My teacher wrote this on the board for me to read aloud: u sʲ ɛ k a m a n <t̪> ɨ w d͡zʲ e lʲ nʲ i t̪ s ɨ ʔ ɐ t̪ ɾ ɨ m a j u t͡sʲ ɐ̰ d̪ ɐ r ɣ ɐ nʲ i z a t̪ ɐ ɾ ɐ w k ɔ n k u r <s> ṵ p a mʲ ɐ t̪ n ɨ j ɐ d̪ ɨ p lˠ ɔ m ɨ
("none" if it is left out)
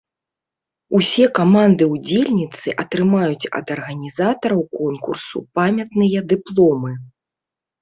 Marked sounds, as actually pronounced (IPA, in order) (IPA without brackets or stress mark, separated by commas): d̪, s